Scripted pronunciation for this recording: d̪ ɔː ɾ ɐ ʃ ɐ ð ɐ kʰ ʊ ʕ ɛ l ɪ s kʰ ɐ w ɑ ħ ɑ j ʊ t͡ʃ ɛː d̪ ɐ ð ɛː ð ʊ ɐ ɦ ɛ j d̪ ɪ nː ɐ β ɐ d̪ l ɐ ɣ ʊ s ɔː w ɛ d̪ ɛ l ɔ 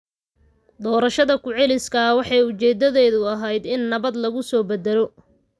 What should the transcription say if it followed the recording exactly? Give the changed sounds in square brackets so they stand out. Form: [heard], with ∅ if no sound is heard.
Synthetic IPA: d̪ ɔː ɾ ɐ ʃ ɐ ð ɐ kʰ ʊ ʕ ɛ l ɪ s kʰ ɐ w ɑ ħ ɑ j ʊ t͡ʃ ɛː d̪ ɐ ð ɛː ð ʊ ɐ ɦ ɛ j d̪ ɪ nː ɐ β ɐ d̪ l ɐ ɣ ʊ s ɔː [b] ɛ d̪ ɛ l ɔ